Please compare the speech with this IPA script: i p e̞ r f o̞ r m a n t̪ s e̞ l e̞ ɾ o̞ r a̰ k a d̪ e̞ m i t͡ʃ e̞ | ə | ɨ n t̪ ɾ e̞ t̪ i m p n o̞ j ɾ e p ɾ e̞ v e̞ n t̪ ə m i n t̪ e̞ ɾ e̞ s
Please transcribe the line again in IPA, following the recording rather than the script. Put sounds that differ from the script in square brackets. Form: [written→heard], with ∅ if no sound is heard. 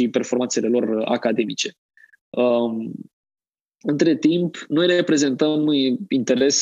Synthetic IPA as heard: i p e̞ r f o̞ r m a n t̪ s e̞ l e̞ [ɾ→l] o̞ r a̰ k a d̪ e̞ m i t͡ʃ e̞ | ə | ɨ n t̪ ɾ e̞ t̪ i m p n o̞ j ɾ e p ɾ e̞ [v→z] e̞ n t̪ ə m i n t̪ e̞ ɾ e̞ s